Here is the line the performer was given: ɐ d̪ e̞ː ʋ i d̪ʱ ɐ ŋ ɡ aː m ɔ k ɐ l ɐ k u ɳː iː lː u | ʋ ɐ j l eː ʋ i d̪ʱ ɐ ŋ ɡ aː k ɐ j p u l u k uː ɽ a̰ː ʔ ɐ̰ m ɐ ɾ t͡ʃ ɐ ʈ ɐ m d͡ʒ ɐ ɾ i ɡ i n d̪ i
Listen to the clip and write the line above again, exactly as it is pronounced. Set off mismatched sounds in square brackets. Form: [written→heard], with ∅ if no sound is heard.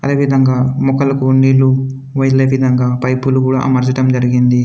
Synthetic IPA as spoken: ɐ d̪ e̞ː ʋ i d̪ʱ ɐ ŋ ɡ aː m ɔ k ɐ l ɐ k u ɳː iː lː u | ʋ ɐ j l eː ʋ i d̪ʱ ɐ ŋ ɡ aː [k→p] ɐ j p u l u k uː ɽ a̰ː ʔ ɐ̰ m ɐ ɾ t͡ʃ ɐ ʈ ɐ m d͡ʒ ɐ ɾ i ɡ i n d̪ i